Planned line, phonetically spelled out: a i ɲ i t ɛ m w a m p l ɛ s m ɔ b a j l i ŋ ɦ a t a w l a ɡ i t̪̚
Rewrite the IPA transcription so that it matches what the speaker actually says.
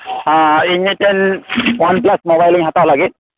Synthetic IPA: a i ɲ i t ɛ n w a n p l a s m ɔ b a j l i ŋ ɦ a t a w l a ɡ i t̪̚